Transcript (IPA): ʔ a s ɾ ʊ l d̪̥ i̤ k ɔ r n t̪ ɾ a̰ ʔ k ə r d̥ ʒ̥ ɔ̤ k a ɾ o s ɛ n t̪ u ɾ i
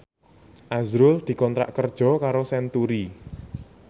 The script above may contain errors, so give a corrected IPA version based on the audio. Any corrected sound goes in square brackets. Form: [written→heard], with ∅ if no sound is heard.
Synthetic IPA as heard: ʔ a [s→z] ɾ ʊ l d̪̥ i̤ k ɔ [r→∅] n t̪ ɾ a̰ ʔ k ə r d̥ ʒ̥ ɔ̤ k a ɾ o s ɛ n t̪ u ɾ i